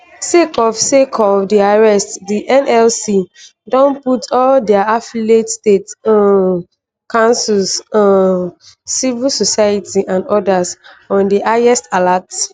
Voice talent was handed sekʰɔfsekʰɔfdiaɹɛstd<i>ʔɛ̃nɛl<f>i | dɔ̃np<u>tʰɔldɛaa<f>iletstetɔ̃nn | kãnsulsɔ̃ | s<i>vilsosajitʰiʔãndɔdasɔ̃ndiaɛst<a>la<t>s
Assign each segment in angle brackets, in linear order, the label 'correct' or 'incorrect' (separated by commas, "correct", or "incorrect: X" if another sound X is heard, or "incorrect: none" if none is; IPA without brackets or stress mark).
correct, incorrect: s, correct, correct, correct, correct, correct